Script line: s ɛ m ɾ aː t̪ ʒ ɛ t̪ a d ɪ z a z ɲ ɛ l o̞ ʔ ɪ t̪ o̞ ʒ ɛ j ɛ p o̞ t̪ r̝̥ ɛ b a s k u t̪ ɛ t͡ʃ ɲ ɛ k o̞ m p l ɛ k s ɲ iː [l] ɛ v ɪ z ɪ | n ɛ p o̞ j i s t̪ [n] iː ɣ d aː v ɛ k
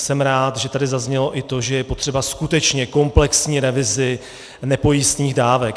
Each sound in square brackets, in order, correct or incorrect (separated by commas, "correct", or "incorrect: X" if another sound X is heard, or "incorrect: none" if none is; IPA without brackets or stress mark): incorrect: ɾ, incorrect: ɲ